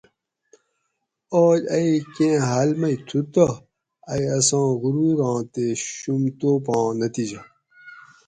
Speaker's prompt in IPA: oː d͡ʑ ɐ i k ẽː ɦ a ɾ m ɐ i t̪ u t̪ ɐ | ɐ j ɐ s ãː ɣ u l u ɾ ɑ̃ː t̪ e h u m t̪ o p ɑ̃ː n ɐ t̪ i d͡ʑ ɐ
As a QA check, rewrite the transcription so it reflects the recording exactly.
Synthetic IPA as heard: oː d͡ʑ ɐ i k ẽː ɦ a l m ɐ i t̪ʰ u t̪ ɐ | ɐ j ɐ s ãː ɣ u ɾ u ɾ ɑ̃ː t̪ e ɕ u m t̪ o p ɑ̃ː n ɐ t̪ i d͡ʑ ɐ